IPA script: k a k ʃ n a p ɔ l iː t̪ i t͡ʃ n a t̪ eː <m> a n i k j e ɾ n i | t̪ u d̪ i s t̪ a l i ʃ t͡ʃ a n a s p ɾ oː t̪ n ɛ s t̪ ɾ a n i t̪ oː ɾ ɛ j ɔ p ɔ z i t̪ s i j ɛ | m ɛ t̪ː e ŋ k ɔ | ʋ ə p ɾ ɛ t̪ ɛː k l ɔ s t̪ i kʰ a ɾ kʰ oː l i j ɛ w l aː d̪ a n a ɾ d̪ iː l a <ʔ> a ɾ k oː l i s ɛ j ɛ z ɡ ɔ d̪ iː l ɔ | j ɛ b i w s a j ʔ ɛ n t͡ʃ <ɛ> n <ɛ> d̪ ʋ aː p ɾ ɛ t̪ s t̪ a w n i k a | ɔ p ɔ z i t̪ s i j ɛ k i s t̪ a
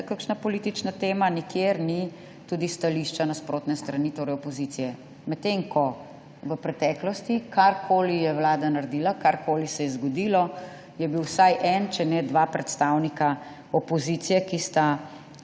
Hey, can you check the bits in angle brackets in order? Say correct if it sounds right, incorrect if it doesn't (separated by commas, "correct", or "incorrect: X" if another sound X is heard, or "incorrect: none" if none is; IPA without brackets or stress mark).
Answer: correct, incorrect: k, correct, correct